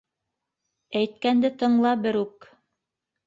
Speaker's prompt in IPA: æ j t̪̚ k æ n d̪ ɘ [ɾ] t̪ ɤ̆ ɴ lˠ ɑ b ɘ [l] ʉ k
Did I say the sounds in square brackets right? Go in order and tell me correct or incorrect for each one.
incorrect, incorrect

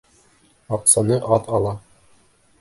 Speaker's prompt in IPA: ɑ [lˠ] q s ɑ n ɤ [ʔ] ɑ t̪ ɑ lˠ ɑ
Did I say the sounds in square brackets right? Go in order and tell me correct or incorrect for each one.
incorrect, correct

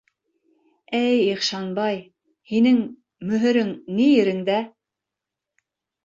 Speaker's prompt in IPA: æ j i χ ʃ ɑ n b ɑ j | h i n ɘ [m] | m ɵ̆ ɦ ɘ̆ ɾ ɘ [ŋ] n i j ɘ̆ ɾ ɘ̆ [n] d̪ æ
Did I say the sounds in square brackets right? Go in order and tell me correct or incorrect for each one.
incorrect, correct, incorrect

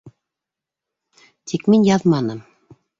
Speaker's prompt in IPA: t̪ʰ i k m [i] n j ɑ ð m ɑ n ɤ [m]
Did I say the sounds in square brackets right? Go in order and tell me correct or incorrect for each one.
correct, correct

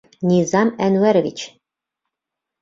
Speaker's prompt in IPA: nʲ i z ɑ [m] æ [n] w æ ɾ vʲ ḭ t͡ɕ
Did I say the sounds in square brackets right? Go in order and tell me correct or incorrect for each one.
correct, correct

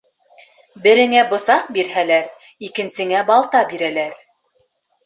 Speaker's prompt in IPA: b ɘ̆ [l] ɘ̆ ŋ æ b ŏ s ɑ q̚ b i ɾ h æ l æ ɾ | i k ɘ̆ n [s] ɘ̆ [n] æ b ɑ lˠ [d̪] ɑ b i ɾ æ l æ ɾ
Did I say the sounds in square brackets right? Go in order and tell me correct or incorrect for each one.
incorrect, correct, incorrect, incorrect

